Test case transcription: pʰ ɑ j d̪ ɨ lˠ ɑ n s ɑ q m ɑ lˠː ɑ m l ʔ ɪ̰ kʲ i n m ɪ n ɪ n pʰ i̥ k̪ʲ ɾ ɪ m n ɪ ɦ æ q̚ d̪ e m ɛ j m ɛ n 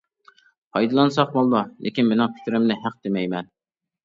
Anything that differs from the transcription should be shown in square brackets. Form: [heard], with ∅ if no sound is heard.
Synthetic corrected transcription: pʰ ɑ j d̪ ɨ lˠ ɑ n s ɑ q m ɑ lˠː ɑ [∅] l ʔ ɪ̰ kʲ i n m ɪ n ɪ [ŋ] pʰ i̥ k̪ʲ ɾ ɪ m n ɪ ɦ æ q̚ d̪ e m ɛ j m ɛ n